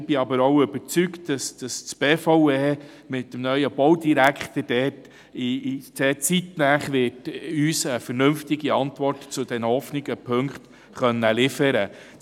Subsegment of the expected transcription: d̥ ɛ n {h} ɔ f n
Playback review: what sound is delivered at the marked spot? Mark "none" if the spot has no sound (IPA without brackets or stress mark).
h